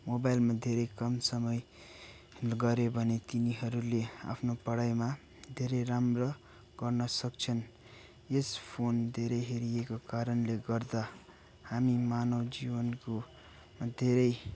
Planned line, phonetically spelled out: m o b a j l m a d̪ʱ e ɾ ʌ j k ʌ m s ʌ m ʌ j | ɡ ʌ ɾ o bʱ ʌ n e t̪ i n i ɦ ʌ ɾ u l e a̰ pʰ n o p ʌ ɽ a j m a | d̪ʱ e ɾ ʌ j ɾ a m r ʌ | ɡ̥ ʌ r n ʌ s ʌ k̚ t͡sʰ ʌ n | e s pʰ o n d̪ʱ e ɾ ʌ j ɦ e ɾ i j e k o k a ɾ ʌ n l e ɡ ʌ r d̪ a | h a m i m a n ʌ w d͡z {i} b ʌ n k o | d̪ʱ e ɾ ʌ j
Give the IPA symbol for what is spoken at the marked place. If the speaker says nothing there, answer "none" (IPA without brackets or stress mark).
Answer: i